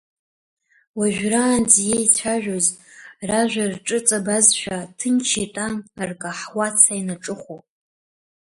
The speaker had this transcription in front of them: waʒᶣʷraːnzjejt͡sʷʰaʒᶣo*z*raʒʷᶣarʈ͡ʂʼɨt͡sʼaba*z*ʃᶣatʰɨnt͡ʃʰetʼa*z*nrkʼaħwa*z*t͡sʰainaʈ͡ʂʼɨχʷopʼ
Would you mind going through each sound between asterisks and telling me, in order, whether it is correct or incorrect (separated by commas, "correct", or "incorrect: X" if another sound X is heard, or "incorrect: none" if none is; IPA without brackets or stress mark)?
correct, correct, incorrect: none, incorrect: none